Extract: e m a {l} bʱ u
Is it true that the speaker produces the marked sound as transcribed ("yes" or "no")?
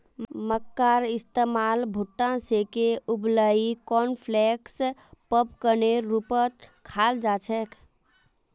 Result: yes